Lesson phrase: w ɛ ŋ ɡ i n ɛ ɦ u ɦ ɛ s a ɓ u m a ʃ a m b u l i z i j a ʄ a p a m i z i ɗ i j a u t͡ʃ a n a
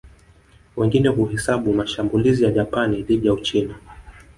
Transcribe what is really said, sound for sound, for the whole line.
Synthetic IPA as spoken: w ɛ ŋ ɡ i n ɛ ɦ u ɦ ɛ s a ɓ u m a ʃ a m b u l i z i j a ʄ a p a n i ð i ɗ i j a u t͡ʃ i n a

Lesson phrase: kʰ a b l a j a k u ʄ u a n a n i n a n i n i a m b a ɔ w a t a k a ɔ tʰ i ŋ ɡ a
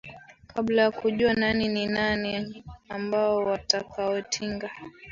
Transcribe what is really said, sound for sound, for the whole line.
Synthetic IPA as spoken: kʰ a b l a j a k u ʄ u a n a n i n i n a n i a m b a ɔ w a t a k a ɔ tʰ i ŋ ɡ a

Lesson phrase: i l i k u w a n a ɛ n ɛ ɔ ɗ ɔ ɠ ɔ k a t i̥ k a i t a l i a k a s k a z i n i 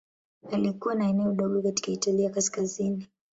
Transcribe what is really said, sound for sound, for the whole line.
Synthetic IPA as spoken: a l i k u w a n a ɛ n ɛ ɔ ɗ ɔ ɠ ɔ k a t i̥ k a i t a l i a k a s k a z i n i

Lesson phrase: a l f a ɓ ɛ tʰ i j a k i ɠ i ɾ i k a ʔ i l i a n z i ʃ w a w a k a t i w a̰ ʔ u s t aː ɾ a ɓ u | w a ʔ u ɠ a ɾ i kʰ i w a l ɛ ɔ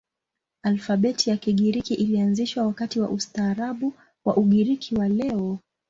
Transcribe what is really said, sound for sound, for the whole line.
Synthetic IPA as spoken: a l f a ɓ ɛ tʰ i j a k i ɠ i ɾ i k i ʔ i l i a n z i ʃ w a w a k a t i w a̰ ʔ u s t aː ɾ a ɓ u | w a ʔ u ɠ i ɾ i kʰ i w a l ɛ ɔ

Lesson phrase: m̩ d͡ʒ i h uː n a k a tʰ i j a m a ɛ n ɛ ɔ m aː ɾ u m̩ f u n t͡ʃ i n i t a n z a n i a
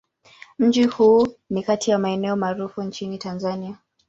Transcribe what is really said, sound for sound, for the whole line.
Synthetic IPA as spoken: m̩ d͡ʒ i h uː n i k a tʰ i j a m a ɛ n ɛ ɔ m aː ɾ u f u n t͡ʃ i n i t a n z a n i a

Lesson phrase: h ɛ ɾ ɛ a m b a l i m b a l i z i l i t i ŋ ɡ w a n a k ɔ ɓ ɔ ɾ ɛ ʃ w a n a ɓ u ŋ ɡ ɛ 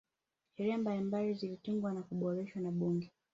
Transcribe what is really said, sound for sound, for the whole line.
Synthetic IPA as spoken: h ɛ ɾ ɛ a m b a l i m b a l i z i l i t i ŋ ɡ w a n a k u ɓ ɔ ɾ ɛ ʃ w a n a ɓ u ŋ ɡ ɛ

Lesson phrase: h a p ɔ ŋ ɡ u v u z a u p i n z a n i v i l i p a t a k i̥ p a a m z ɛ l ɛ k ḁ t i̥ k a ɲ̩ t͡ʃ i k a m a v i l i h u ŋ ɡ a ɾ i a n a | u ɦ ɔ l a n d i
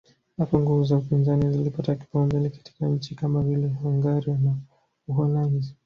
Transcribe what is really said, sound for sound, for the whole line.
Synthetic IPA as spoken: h a p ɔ ŋ ɡ u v u z a u p i n z a n i z i l i p a t a k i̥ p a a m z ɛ l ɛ k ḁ t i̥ k a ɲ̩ t͡ʃ i k a m a v i l ɛ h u ŋ ɡ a ɾ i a n a | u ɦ ɔ l a n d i

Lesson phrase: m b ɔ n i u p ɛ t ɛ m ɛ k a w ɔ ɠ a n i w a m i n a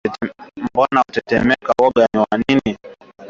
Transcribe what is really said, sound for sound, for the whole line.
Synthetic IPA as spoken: m b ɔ n a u t ɛ t ɛ m ɛ k a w ɔ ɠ a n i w a n i n i

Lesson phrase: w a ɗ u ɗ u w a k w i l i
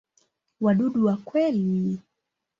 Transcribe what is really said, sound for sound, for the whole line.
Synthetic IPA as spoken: w a ɗ u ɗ u w a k w ɛ l i

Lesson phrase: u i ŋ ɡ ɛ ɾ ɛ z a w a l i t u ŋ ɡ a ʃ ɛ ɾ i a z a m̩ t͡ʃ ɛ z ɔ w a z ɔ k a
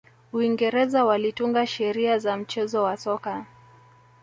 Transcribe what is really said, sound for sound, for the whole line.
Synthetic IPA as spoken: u i ŋ ɡ ɛ ɾ ɛ z a w a l i t u ŋ ɡ a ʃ ɛ ɾ i a z a m̩ t͡ʃ ɛ z ɔ w a s ɔ k a

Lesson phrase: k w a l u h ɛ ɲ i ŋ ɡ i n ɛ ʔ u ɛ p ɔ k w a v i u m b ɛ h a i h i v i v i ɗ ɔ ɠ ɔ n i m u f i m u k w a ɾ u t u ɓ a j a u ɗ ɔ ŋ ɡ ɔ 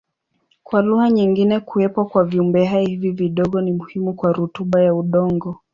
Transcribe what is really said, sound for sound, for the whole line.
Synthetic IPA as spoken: k w a l u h a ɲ i ŋ ɡ i n ɛ k u ɛ p ɔ k w a v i u m b ɛ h a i h i v i v i ɗ ɔ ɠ ɔ n i m u h i m u k w a ɾ u t u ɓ a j a u ɗ ɔ ŋ ɡ ɔ

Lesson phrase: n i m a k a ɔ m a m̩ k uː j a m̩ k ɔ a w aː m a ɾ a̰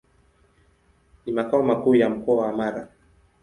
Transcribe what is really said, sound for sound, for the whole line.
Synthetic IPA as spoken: n i m a k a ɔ m a k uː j a m̩ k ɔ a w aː m a ɾ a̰

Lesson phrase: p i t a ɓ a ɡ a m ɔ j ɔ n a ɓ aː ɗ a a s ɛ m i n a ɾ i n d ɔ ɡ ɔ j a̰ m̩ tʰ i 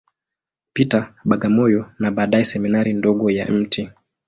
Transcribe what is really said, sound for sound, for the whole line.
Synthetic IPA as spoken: p i t a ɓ a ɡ a m ɔ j ɔ n a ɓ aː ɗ a ɛ s ɛ m i n a ɾ i n d ɔ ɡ ɔ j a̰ m̩ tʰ i

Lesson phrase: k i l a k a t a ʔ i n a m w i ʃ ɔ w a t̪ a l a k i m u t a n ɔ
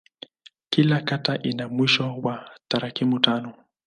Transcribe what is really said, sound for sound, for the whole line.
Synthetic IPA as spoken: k i l a k a t a ʔ i n a m w i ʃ ɔ w a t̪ a ɾ a k i m u t a n ɔ

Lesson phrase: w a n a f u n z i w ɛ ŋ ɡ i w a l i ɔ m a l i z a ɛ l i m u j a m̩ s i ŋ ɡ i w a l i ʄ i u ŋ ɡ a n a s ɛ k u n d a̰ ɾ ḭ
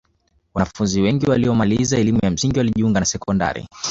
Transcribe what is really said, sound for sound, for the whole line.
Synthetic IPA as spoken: w a n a f u n z i w ɛ ŋ ɡ i w a l i ɔ m a l i z a ɛ l i m u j a m̩ s i ŋ ɡ i w a l i ʄ i u ŋ ɡ a n a s ɛ k ɔ n d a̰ ɾ ḭ

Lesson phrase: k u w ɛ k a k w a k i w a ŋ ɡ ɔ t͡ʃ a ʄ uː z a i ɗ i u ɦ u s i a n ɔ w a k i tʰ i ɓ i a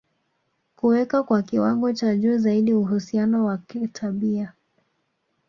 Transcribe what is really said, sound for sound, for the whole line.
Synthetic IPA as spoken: k u w ɛ k a k w a k i w a ŋ ɡ ɔ t͡ʃ a ʄ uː z a i ɗ i u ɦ u s i a n ɔ w a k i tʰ a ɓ i a

